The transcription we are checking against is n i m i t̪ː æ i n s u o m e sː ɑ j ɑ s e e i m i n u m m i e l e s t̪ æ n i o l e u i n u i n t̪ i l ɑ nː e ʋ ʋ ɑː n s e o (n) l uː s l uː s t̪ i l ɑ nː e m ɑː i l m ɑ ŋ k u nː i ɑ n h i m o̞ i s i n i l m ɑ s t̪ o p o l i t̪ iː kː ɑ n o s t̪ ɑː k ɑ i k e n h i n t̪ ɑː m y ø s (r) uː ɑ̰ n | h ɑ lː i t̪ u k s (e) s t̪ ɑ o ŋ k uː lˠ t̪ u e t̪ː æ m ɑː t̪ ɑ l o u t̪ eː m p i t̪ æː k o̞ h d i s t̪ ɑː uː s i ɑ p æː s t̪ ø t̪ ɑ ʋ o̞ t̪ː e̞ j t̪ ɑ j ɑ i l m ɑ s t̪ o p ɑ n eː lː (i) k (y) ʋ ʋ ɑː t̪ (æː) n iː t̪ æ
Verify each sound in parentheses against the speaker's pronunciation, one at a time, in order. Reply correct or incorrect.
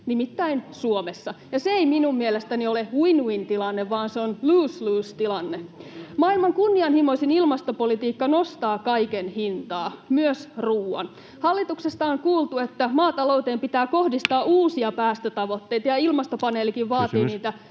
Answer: correct, correct, correct, correct, incorrect: i, incorrect: iː

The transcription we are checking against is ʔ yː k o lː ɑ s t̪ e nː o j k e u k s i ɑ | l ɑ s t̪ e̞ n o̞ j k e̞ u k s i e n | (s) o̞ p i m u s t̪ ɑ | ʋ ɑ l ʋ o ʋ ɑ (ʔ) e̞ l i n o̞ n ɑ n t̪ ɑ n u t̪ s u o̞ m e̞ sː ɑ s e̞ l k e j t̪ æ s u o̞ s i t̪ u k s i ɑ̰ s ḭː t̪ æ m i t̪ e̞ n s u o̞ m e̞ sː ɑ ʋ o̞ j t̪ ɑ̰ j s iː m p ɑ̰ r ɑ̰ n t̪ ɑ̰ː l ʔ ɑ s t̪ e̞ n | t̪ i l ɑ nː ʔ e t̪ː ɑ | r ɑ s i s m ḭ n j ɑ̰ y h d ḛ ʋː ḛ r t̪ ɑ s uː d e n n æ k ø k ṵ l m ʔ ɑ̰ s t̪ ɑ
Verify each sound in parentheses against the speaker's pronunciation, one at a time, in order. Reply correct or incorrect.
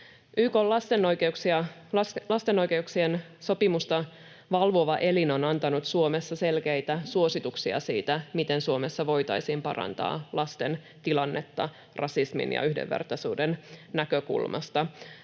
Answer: correct, correct

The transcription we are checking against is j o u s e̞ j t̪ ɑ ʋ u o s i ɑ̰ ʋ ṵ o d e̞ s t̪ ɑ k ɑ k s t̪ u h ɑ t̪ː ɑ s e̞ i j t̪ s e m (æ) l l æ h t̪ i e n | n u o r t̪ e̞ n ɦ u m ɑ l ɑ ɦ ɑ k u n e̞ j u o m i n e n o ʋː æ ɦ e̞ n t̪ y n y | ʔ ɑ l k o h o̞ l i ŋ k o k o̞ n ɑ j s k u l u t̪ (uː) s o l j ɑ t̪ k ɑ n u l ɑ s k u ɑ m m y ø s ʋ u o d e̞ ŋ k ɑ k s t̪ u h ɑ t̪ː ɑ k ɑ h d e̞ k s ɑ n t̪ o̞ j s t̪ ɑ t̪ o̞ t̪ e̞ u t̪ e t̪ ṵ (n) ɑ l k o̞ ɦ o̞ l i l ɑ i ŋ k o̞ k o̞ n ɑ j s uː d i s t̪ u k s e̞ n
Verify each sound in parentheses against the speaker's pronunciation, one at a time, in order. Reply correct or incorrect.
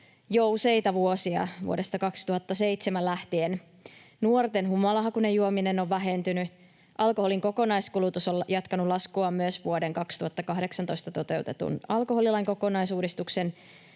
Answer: correct, incorrect: u, correct

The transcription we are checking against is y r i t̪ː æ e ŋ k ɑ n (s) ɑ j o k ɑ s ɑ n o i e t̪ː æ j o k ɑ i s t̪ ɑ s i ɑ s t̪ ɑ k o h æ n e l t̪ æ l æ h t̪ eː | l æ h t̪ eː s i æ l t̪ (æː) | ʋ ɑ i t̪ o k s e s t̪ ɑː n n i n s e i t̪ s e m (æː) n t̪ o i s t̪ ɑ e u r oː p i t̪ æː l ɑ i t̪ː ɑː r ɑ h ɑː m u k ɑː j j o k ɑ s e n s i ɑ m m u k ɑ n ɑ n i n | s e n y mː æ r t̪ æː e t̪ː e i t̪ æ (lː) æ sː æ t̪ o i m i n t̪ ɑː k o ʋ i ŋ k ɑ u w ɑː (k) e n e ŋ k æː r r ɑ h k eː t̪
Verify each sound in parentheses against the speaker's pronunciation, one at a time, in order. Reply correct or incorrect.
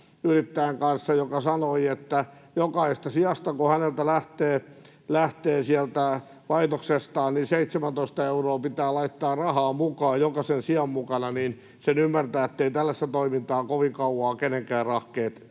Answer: incorrect: sː, incorrect: æ, incorrect: æ, correct, correct

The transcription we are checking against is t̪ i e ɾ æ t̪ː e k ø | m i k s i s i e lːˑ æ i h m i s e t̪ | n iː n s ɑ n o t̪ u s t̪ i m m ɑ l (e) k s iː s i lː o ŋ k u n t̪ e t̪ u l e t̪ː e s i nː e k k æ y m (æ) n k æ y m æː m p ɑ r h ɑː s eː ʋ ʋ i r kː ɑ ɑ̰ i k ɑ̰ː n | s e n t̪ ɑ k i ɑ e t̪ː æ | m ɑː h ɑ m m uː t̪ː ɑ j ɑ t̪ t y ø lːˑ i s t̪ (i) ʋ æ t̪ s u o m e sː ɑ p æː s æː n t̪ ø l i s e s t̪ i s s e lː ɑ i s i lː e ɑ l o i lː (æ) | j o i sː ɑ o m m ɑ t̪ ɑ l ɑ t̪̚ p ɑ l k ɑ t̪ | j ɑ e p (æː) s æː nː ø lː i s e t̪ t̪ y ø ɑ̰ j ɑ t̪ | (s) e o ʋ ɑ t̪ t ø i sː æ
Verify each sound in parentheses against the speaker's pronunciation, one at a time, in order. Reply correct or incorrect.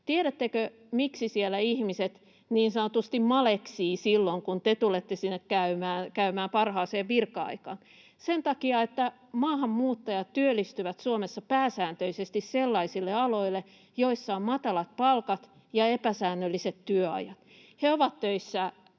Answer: correct, incorrect: æː, incorrect: y, incorrect: e, incorrect: æ, incorrect: h

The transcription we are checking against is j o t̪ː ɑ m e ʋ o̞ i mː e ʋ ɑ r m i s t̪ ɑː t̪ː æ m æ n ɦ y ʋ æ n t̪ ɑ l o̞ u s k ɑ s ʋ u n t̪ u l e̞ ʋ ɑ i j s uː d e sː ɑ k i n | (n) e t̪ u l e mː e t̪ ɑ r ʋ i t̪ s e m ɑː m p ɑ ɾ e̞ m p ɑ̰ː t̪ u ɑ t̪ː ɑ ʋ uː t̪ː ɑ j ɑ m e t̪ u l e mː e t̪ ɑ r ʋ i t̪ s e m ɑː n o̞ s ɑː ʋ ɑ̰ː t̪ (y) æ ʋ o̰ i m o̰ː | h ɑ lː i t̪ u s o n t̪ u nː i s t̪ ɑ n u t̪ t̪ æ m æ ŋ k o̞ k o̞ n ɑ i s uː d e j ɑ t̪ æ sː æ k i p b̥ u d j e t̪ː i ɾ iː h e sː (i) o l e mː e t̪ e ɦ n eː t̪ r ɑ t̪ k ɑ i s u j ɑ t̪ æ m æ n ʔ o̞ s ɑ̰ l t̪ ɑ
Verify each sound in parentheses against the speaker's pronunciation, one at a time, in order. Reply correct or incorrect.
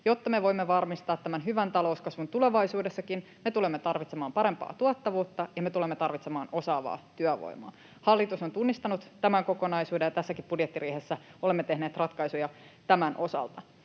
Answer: incorrect: m, correct, incorrect: æ

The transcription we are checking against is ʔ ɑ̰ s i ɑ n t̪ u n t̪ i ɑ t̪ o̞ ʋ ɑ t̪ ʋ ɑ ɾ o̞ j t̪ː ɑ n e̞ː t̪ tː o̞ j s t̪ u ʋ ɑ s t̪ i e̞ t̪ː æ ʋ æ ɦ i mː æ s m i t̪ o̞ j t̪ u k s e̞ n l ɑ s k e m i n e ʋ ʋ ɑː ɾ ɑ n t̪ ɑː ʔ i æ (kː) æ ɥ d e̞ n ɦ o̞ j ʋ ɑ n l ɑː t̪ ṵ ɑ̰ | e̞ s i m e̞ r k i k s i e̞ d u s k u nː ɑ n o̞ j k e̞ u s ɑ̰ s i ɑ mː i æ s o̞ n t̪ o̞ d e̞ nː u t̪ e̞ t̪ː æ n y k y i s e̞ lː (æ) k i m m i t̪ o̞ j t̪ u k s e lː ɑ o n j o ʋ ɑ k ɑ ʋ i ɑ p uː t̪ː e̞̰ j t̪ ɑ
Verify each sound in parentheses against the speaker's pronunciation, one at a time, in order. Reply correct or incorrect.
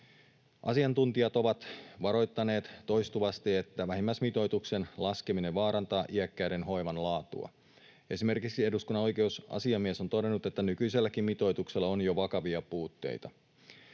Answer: correct, correct

